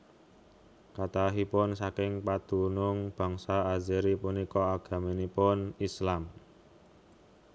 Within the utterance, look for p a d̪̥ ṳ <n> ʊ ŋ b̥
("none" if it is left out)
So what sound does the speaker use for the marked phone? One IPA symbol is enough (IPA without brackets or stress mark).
n